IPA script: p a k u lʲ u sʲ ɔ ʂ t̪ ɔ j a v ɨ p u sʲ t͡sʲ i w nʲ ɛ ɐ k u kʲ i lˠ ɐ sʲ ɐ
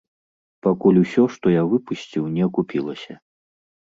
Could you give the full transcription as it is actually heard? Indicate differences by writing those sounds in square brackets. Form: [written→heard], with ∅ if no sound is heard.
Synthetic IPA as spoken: p a k u lʲ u sʲ ɔ ʂ t̪ ɔ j a v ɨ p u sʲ t͡sʲ i w nʲ ɛ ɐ k u [kʲ→pʲ] i lˠ ɐ sʲ ɐ